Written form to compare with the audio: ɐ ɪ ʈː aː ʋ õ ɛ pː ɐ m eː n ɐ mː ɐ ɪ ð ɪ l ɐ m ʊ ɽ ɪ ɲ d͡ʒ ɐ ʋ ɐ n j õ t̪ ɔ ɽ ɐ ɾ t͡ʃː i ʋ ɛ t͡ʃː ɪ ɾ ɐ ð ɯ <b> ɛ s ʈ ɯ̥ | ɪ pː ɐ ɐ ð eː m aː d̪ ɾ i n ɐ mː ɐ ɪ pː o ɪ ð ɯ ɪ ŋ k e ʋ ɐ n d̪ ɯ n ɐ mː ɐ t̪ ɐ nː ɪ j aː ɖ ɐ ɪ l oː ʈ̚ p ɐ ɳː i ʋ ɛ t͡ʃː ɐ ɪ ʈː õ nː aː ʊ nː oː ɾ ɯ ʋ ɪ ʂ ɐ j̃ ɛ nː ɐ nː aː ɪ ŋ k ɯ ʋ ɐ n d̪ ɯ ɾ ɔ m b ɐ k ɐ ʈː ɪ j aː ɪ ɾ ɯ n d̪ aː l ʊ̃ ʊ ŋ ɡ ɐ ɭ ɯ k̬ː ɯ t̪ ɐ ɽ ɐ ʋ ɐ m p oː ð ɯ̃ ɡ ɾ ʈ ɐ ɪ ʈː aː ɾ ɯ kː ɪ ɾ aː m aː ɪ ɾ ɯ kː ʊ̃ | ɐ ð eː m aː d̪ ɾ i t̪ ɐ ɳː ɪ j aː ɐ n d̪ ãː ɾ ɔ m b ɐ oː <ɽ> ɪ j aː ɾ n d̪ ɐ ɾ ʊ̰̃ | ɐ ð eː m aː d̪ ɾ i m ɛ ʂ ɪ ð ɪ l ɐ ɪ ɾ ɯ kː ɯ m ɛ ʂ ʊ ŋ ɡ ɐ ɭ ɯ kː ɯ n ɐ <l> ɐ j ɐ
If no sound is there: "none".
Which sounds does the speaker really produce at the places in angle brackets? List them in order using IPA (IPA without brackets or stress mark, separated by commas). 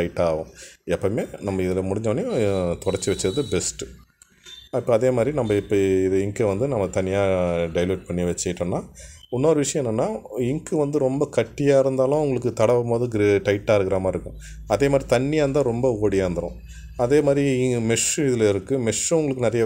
b, ɽ, ɾ